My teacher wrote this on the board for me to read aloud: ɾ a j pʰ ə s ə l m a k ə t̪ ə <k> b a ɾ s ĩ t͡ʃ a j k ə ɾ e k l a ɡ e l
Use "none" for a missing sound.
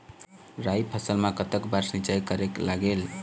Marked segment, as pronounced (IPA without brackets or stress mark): k